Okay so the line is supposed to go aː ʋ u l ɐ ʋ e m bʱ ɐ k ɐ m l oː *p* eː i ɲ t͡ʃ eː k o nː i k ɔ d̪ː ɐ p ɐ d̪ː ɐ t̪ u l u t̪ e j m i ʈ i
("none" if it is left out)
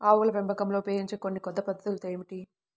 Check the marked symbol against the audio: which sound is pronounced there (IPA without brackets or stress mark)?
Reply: p